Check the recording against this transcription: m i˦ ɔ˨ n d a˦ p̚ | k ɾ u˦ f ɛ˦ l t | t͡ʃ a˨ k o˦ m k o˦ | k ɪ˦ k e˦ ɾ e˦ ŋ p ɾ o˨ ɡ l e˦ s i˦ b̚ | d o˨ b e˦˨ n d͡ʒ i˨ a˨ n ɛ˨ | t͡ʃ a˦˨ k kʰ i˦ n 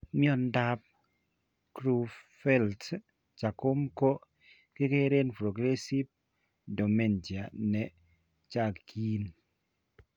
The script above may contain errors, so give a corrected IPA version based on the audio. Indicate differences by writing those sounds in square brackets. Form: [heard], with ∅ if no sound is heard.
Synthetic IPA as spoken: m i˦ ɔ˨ n d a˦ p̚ | k ɾ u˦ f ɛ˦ l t | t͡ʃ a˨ k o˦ m k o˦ | k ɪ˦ k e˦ ɾ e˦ [n] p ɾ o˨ ɡ [ɾ] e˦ s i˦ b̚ | d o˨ [m] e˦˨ n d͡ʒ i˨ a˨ n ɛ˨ | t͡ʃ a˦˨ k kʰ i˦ n